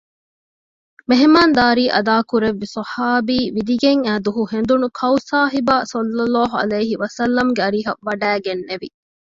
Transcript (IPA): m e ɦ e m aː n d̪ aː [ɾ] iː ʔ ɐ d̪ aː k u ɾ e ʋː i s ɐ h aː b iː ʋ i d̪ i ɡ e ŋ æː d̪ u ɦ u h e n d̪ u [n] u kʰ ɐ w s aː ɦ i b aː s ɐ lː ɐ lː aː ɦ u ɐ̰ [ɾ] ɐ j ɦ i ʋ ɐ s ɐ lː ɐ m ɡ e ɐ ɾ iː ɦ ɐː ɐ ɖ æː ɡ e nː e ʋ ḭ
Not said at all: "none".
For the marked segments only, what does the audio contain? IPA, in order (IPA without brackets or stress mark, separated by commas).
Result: ɾ, n, l